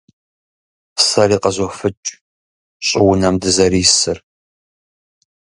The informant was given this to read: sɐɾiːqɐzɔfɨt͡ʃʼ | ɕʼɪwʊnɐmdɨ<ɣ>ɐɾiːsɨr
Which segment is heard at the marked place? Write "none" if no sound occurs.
z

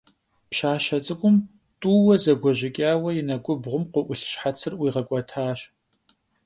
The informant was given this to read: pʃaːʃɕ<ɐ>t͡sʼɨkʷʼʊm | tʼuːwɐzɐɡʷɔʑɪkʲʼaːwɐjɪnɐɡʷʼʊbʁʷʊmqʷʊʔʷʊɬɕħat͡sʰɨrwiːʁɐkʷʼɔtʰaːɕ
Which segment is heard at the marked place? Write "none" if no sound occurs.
ɐ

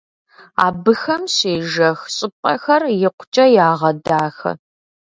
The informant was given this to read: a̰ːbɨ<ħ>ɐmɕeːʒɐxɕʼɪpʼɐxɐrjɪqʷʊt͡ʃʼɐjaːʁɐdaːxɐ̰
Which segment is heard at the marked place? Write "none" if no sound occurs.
x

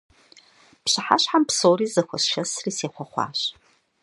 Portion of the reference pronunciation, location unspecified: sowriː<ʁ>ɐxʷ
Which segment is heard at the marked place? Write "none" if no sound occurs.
z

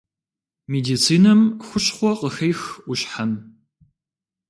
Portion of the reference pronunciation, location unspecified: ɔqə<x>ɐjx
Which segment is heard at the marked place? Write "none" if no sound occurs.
x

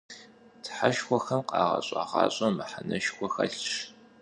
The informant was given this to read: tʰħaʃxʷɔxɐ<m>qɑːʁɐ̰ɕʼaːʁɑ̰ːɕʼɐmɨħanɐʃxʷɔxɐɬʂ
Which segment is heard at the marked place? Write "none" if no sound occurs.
m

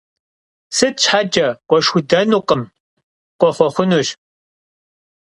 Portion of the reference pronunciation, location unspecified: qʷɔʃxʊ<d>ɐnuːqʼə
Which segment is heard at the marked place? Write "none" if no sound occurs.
d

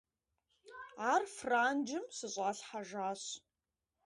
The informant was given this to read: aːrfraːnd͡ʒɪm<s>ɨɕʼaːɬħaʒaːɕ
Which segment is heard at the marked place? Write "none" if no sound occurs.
s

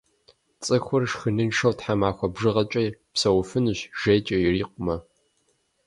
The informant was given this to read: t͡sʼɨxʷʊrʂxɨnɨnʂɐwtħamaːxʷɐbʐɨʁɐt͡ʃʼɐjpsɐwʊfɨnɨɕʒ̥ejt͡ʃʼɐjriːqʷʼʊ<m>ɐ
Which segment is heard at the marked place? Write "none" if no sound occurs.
m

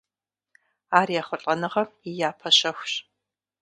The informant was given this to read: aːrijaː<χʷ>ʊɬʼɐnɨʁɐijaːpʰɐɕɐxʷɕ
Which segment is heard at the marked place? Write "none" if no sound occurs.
χʷ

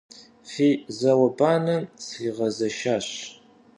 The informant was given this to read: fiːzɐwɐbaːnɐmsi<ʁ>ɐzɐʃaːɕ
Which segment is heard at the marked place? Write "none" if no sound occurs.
ʁ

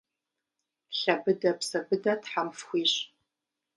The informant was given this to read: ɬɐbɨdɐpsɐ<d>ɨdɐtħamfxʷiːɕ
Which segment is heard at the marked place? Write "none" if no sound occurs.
b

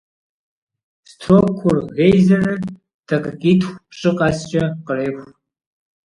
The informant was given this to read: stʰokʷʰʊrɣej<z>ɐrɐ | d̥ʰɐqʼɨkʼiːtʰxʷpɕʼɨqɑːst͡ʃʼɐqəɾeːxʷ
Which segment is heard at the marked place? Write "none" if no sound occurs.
z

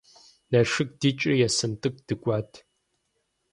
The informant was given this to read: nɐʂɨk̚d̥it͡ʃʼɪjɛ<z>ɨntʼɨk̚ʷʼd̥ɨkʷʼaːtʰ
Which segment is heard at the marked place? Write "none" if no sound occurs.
s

